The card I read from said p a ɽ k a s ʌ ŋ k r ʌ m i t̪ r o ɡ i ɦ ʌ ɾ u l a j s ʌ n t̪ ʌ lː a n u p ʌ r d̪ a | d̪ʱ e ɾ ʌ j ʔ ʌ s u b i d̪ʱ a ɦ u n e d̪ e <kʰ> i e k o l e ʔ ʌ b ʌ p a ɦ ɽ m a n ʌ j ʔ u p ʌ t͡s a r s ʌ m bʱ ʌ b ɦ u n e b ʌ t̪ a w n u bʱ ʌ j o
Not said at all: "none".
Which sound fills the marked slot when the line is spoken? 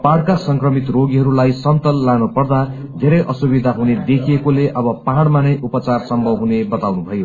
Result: kʰ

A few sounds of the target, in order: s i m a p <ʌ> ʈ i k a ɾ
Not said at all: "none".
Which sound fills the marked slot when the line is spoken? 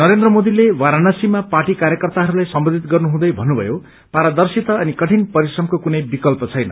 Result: a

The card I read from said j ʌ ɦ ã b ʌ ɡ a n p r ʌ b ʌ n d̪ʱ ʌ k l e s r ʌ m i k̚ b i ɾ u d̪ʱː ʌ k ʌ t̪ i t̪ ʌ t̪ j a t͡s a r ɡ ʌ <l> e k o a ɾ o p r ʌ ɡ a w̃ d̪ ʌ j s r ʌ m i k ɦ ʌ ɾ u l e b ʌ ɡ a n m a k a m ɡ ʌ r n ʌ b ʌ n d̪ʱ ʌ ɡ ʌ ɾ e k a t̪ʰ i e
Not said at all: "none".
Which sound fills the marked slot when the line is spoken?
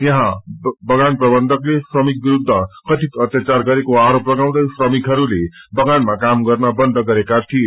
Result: ɾ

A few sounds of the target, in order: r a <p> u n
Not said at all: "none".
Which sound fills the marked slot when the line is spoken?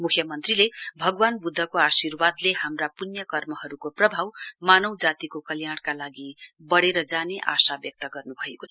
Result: p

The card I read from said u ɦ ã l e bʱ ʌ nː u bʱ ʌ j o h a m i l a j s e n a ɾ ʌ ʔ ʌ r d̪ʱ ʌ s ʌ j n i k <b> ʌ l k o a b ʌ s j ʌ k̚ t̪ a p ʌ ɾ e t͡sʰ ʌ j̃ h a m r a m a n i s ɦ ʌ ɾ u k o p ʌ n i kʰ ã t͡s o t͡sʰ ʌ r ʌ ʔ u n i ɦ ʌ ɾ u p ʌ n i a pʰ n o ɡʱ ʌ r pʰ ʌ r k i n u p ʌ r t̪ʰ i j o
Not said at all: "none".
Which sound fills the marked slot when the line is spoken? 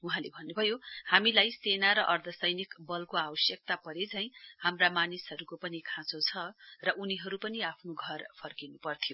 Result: b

